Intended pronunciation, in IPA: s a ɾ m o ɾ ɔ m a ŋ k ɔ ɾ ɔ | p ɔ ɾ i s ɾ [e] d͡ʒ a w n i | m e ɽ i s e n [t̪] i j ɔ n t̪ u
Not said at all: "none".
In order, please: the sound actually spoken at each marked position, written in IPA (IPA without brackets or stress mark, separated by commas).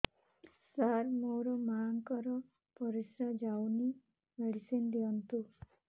a, d̪